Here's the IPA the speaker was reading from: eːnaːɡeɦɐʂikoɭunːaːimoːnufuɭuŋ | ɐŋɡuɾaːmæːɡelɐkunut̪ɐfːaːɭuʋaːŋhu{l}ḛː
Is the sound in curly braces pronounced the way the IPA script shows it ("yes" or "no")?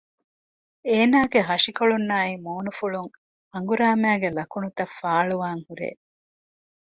no